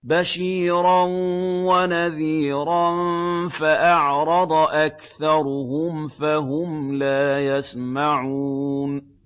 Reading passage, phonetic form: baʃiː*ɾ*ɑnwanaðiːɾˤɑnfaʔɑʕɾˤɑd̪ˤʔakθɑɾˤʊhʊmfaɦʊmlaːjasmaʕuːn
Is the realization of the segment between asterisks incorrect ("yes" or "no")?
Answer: no